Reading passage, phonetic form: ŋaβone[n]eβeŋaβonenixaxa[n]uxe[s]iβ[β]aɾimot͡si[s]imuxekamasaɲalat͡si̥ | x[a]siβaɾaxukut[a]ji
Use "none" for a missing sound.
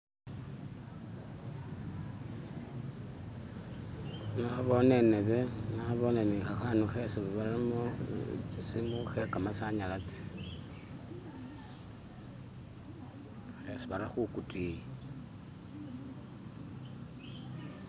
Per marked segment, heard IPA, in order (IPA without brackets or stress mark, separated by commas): n, n, s, β, s, e, i